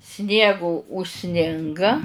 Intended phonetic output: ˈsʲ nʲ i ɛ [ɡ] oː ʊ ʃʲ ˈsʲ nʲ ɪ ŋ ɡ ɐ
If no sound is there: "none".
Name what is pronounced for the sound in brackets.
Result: ɡ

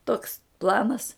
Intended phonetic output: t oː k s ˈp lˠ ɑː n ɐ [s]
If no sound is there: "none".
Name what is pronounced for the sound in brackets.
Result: s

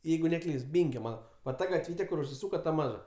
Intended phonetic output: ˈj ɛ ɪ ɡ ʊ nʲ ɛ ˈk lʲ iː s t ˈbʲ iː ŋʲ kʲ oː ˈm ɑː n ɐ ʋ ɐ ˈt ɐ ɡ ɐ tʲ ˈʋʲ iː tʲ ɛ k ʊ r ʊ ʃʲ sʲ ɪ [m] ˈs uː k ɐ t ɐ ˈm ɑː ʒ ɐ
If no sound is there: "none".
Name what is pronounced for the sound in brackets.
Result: none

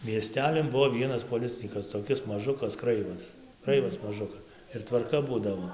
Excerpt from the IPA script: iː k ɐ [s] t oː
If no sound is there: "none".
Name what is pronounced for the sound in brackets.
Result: s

